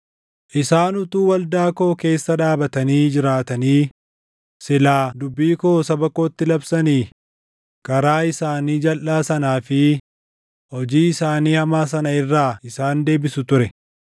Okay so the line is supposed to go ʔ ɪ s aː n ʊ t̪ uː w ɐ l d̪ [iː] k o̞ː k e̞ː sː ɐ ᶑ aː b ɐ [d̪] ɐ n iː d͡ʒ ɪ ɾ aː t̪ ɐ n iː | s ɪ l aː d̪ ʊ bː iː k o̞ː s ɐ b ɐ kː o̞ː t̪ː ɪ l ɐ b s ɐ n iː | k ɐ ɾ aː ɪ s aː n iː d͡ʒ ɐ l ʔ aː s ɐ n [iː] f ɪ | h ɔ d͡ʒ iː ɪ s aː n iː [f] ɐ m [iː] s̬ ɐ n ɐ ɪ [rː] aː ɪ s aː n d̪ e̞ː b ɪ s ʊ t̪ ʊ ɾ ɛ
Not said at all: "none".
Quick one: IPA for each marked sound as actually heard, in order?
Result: aː, t̪, aː, h, aː, rː

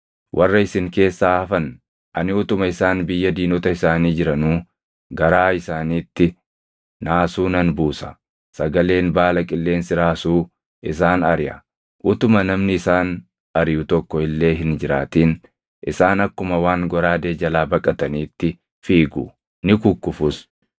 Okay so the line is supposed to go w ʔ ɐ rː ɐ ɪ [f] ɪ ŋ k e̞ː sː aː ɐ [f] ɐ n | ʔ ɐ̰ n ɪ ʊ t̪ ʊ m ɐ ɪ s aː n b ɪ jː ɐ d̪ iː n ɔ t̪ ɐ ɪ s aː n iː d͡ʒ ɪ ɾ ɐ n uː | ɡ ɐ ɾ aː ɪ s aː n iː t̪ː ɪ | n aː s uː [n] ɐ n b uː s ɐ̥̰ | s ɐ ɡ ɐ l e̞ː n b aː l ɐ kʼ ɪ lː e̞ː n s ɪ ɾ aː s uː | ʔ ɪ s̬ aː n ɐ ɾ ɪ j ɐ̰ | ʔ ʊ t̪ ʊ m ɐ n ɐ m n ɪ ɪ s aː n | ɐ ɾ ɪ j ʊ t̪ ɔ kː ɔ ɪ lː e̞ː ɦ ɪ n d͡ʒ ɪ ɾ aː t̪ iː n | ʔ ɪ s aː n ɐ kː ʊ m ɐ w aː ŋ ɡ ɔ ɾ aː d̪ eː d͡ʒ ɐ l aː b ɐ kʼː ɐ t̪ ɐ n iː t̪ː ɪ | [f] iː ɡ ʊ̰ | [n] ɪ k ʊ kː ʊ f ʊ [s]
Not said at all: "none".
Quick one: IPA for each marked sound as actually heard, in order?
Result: s, f, n, f, n, s

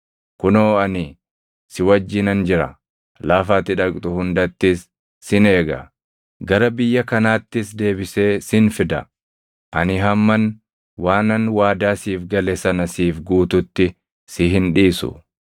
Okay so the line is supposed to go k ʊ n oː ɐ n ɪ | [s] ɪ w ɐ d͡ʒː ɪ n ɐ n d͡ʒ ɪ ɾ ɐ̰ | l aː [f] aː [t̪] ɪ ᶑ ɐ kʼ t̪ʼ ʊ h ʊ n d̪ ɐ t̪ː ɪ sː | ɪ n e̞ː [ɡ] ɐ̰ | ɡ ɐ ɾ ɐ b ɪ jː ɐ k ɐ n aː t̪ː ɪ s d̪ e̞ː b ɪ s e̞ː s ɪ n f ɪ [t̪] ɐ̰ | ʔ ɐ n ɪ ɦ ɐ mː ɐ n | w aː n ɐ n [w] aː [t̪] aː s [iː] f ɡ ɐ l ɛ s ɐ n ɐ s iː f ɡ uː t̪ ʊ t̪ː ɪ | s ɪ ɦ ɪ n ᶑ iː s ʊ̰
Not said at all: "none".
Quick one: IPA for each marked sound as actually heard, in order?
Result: s, f, t̪, ɡ, d̪, w, d̪, iː

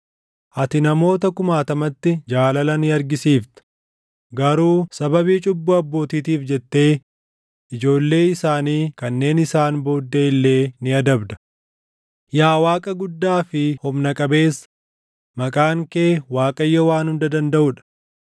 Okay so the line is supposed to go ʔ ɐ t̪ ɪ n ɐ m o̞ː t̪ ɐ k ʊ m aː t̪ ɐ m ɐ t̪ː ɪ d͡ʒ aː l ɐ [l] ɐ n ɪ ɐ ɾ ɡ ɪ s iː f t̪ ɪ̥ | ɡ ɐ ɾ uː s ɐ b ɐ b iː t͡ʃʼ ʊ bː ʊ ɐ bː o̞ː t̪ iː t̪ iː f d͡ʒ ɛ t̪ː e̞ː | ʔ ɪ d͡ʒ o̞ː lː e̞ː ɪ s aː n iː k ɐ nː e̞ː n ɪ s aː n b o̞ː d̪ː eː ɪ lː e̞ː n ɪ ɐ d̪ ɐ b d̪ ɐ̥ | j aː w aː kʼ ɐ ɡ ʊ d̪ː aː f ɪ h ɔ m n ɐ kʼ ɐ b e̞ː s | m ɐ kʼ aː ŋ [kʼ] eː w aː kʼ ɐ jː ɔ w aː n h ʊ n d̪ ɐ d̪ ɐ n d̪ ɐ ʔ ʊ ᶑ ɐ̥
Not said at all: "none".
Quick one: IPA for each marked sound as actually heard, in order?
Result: l, k

